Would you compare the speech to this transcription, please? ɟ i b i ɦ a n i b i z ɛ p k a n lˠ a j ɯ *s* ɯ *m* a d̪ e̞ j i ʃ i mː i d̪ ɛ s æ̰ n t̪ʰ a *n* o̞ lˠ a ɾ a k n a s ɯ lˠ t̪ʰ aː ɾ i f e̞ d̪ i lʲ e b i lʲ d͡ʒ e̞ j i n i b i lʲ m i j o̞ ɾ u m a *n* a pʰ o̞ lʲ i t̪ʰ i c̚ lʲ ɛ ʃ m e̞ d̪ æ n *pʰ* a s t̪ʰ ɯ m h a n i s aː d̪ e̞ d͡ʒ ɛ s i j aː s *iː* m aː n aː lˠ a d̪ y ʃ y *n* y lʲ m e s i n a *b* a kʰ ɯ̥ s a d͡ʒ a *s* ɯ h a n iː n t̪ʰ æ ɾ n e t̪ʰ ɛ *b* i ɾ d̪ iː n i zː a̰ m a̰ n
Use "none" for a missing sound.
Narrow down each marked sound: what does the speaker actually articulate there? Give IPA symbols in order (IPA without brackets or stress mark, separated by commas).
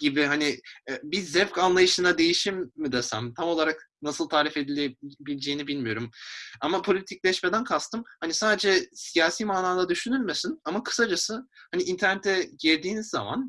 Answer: ʃ, n, m, m, kʰ, iː, n, m, s, ɟ